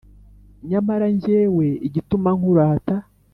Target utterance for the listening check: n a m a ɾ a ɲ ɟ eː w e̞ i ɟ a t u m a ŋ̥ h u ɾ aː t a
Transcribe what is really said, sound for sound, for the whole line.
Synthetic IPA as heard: ɲ a m a ɾ a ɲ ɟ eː w e̞ i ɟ i t u m a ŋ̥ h u ɾ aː t a